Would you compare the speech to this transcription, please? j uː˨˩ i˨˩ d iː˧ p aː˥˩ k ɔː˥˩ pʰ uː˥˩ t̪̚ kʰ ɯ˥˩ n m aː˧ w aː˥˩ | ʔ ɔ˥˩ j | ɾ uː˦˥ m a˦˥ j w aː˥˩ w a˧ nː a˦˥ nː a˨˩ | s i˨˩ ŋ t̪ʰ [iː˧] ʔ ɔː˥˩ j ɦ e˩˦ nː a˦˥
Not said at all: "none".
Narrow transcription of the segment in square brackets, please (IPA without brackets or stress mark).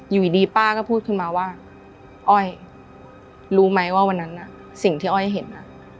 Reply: iː˥˩